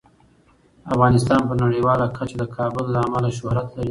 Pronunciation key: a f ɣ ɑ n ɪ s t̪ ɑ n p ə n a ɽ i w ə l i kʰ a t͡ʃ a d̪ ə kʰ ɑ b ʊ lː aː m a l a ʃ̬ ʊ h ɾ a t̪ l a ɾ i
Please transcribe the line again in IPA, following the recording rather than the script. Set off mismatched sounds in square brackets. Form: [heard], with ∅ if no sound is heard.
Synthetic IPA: a f ɣ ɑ n ɪ s t̪ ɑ n p ə n a ɽ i w [ɑ] l [a] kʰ a t͡ʃ a d̪ ə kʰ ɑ b ʊ lː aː m a l a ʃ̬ ʊ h ɾ a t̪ l a ɾ i